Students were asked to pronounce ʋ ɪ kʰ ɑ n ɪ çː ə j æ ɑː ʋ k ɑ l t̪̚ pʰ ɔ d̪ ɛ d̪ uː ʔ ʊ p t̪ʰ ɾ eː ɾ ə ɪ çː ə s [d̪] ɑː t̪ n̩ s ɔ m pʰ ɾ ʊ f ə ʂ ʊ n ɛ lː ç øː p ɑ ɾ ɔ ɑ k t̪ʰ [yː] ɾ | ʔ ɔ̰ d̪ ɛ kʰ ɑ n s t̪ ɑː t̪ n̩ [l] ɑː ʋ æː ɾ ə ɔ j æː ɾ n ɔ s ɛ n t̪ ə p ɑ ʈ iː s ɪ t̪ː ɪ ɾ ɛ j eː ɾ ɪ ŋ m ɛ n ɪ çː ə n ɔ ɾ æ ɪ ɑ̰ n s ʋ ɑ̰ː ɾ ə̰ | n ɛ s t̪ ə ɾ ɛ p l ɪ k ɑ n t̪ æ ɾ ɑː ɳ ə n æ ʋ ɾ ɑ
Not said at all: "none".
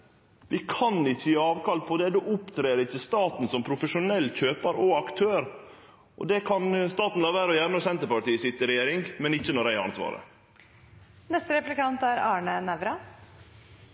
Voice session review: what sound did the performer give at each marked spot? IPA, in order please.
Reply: t̪, øː, l

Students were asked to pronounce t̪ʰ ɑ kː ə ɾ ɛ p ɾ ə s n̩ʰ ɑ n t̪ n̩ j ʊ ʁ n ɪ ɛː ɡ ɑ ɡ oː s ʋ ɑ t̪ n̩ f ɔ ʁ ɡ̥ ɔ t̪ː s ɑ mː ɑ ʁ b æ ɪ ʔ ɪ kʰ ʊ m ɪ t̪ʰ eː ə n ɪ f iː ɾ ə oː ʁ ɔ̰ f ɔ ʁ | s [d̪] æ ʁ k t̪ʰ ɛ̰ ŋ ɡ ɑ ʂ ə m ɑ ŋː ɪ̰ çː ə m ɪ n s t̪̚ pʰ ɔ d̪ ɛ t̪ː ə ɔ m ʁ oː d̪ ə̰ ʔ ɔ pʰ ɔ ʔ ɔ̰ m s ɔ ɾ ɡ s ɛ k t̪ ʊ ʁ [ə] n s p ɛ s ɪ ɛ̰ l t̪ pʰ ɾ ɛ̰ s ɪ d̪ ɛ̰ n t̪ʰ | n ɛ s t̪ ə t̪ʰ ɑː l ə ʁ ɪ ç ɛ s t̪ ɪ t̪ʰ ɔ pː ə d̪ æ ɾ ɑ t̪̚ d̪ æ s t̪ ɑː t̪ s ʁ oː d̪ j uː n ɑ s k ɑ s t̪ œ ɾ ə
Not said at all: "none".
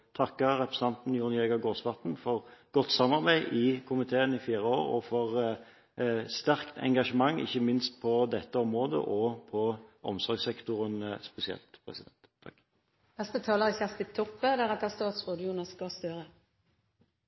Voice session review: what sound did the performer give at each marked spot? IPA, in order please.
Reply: t̪, ə

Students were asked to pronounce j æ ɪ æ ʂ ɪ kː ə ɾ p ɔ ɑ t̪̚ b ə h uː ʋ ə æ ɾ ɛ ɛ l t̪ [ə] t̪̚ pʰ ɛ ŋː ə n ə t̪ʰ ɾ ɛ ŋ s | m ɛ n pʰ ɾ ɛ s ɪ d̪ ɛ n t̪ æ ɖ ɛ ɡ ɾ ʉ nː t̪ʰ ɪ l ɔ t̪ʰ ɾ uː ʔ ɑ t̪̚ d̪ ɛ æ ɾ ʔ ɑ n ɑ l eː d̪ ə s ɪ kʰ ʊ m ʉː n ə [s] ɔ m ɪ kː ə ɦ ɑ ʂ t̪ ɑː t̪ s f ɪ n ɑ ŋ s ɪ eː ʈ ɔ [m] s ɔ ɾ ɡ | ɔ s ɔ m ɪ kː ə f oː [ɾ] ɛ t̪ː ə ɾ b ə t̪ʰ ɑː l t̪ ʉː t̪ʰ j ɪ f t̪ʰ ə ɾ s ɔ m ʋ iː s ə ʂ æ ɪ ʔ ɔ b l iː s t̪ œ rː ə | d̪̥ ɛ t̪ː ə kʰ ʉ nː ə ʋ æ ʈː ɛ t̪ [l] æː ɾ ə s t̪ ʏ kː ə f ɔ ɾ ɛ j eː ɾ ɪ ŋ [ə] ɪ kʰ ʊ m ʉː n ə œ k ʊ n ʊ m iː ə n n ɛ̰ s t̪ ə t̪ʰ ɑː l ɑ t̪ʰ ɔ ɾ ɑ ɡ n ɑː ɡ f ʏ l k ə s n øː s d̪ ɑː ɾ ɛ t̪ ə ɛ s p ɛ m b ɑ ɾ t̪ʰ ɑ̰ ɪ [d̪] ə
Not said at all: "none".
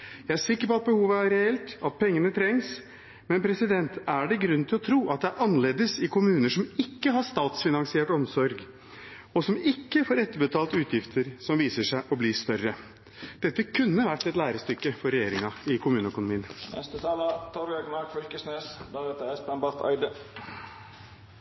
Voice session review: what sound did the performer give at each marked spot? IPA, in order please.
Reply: ɑ, ʂ, m, ɾ, l, ɑ, d̪

